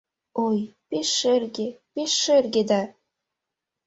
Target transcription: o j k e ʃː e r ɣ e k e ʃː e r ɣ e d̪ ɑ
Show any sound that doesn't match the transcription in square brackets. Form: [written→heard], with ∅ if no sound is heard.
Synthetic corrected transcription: o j [k→p] e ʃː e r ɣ e [k→p] e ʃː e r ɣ e d̪ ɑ

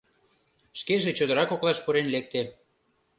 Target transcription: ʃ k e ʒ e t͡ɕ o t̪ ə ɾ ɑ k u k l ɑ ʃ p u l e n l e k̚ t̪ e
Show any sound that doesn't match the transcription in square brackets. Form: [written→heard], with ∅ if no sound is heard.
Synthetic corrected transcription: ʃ k e ʒ e t͡ɕ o [t̪→d̪] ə ɾ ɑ k [u→o] k l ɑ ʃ p u [l→ɾ] e n l e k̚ t̪ e

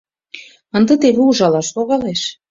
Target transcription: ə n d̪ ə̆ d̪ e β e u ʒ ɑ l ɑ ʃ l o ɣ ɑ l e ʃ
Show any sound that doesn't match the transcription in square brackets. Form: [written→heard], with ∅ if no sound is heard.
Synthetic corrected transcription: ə n d̪ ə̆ [d̪→t̪] e β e u ʒ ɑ l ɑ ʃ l o ɣ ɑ l e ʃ

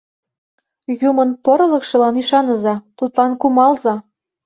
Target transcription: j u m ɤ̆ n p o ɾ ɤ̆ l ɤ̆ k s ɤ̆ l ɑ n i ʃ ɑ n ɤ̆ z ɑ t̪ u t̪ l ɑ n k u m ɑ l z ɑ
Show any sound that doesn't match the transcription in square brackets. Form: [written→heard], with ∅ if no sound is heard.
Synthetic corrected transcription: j u m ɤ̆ n p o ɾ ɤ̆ l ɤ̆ k [s→ʃ] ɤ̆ l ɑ n i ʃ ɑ n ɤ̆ z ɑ t̪ u t̪ l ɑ n k u m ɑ l z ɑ

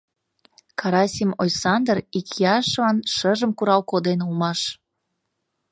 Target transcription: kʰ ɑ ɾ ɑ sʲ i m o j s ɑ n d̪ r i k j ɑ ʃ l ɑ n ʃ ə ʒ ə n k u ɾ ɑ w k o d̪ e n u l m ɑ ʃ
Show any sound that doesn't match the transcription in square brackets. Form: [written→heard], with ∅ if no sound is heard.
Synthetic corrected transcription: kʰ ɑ ɾ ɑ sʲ i m o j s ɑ n d̪ r i k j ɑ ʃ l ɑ n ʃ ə ʒ ə [n→m] k u ɾ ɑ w k o d̪ e n u l m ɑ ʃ

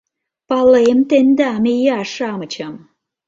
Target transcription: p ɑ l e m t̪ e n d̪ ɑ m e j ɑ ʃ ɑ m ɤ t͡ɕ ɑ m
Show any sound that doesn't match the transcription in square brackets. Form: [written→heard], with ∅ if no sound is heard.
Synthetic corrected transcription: p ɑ l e m t̪ e n d̪ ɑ m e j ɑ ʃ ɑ m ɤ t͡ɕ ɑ m

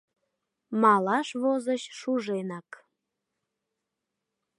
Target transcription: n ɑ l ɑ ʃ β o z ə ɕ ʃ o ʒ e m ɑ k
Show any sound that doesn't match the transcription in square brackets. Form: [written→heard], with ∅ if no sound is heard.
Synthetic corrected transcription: [n→m] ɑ l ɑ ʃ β o z ə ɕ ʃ [o→u] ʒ e [m→n] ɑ k

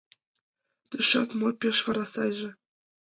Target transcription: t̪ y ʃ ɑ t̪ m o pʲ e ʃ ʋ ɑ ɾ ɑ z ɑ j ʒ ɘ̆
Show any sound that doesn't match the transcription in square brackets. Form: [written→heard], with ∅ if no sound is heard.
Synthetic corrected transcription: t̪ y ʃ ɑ t̪ m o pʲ e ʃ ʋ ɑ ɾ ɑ [z→s] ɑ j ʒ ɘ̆

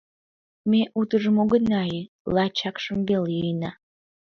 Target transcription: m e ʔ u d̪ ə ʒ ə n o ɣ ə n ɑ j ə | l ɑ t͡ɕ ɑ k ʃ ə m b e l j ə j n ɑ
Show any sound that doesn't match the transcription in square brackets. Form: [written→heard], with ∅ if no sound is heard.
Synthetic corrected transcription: m e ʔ u [d̪→t̪] ə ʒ ə [n→m] o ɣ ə n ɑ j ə | l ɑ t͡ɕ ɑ k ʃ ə m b e l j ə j n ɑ

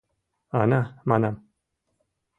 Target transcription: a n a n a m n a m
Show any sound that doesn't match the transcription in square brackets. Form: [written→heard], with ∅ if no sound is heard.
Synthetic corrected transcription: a n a [n→m] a [m→∅] n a m

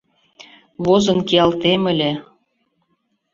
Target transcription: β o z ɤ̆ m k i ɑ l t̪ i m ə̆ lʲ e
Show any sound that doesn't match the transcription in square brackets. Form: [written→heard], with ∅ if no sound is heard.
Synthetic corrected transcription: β o z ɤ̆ [m→n] k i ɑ l t̪ [i→e] m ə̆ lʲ e

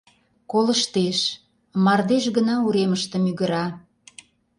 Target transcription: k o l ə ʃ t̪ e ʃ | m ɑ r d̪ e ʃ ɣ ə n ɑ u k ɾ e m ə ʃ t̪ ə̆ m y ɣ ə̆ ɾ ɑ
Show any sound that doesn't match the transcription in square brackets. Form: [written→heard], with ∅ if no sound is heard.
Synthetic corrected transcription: k o l ə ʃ t̪ e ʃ | m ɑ r d̪ e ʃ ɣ ə n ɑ u [k→∅] ɾ e m ə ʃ t̪ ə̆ m y ɣ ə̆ ɾ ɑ

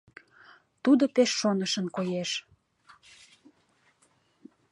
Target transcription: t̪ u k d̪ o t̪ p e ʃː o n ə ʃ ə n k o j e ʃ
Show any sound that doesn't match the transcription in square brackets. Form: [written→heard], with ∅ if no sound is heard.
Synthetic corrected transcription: t̪ u [k→∅] d̪ o [t̪→∅] p e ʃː o n ə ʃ ə n k o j e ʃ

